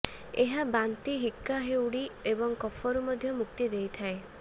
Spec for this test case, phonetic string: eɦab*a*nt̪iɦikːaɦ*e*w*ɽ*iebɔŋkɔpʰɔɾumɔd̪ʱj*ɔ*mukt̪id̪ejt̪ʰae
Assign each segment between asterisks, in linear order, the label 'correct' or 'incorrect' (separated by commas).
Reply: correct, correct, correct, correct